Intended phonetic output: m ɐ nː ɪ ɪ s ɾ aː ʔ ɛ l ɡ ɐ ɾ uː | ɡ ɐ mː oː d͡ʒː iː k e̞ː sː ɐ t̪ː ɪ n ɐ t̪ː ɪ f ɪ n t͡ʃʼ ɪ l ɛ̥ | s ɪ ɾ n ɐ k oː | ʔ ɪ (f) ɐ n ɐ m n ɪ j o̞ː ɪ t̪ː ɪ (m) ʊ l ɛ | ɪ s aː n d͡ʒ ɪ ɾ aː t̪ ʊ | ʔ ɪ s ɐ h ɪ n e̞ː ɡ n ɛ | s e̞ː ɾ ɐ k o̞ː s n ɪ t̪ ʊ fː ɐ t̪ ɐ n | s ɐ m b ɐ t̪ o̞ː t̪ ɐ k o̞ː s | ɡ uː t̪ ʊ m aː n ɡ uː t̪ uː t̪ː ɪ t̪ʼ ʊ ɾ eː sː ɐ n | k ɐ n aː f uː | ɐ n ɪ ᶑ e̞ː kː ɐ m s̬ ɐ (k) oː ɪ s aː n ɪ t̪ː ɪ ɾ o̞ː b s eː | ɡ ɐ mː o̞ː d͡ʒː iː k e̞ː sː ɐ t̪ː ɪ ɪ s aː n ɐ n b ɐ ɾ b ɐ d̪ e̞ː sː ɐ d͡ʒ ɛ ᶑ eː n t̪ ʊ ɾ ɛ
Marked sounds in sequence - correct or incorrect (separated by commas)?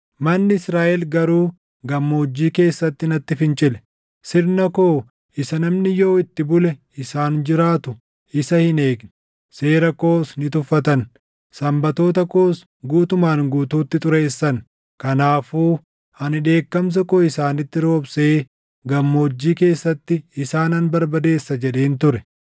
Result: incorrect, incorrect, correct